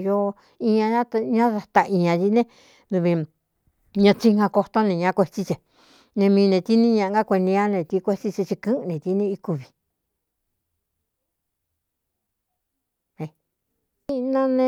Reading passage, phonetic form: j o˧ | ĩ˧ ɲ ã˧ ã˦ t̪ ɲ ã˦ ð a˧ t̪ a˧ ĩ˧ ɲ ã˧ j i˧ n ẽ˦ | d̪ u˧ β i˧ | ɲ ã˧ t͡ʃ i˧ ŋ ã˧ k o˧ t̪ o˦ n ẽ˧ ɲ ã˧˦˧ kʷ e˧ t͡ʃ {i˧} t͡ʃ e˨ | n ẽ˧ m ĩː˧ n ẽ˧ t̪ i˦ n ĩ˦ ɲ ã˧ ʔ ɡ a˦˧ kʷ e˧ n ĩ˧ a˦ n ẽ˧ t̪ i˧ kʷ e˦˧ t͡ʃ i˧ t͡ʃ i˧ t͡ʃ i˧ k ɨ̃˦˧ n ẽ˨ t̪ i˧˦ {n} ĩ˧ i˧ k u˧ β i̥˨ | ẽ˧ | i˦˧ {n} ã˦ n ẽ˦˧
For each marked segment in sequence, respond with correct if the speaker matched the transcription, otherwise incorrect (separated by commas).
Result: correct, correct, correct